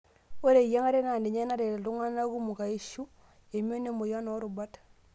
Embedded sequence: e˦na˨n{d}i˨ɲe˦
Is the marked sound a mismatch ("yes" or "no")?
no